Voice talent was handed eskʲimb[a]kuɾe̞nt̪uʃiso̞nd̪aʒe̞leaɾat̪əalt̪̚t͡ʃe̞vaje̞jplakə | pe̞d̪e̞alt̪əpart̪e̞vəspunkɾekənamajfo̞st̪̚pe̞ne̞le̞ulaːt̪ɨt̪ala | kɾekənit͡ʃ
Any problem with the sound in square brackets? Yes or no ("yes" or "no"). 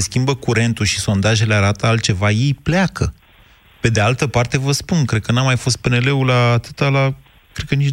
yes